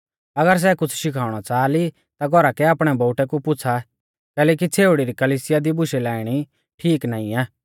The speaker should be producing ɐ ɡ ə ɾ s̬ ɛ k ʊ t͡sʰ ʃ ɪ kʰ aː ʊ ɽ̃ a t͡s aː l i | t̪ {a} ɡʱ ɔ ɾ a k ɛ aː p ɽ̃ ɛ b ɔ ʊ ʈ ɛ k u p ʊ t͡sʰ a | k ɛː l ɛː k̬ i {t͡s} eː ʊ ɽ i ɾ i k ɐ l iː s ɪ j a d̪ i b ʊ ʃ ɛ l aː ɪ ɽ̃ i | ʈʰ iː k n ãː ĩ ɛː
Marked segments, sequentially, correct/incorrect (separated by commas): correct, incorrect